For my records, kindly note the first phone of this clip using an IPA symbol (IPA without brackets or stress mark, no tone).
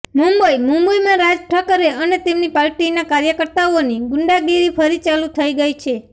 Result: m